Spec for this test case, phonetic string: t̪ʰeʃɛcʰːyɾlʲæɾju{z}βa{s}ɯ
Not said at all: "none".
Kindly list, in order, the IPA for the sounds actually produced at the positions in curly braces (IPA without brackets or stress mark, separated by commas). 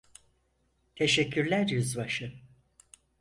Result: z, ʃ